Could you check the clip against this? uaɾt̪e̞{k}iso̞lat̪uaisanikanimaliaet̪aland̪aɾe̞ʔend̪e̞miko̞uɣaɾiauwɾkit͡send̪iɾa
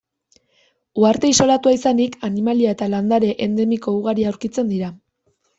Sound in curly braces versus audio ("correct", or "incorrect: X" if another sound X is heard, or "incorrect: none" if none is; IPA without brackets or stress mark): incorrect: none